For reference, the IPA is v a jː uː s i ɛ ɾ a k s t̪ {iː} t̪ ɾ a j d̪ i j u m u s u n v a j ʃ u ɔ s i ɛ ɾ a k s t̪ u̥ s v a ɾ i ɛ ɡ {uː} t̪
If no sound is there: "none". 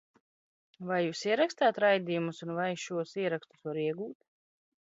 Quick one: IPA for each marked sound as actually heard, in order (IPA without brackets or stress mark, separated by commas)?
aː, uː